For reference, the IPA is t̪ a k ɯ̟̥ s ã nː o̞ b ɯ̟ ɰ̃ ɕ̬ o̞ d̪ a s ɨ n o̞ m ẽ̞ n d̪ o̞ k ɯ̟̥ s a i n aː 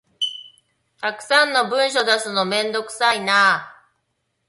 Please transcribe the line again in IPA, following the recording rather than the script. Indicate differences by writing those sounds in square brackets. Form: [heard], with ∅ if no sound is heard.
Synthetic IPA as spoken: t̪ a k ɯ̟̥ s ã nː o̞ b [ɯ̟̃] ɰ̃ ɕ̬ o̞ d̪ a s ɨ n o̞ m ẽ̞ n d̪ o̞ k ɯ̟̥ s a i n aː